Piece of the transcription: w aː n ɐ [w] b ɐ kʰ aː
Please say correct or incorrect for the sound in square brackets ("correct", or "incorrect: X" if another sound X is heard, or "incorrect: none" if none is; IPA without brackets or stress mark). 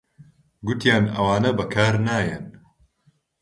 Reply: incorrect: none